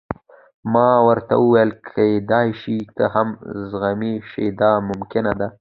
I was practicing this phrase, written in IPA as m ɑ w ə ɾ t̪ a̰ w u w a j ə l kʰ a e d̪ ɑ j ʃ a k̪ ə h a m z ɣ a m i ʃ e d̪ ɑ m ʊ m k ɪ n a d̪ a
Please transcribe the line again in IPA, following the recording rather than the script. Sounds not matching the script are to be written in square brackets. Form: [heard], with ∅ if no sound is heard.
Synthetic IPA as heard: m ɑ w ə ɾ t̪ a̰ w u w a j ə l kʰ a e d̪ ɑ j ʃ [i] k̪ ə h a m z ɣ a m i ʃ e d̪ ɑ m ʊ m k ɪ n a d̪ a